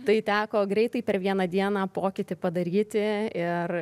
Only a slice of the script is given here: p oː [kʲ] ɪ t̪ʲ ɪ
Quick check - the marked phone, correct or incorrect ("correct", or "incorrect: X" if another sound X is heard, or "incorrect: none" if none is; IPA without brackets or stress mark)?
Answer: correct